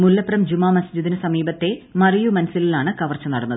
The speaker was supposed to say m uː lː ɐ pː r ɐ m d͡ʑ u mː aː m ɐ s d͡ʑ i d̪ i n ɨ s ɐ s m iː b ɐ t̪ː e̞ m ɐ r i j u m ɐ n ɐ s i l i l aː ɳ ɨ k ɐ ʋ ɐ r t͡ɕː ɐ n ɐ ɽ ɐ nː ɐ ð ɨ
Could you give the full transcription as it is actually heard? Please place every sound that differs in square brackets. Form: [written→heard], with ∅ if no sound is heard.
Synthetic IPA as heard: m [uː→u] lː ɐ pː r ɐ m d͡ʑ u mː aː m ɐ s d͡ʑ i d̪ i n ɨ s ɐ [s→∅] m iː b ɐ t̪ː e̞ m ɐ r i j u m ɐ n ɐ s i l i l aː ɳ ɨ k ɐ ʋ ɐ r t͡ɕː ɐ n ɐ ɽ ɐ nː ɐ ð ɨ